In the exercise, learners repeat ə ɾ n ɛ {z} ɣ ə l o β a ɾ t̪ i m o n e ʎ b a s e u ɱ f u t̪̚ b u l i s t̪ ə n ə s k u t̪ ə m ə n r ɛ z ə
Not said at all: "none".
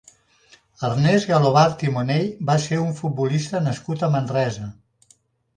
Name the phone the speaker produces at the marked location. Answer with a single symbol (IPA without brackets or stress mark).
z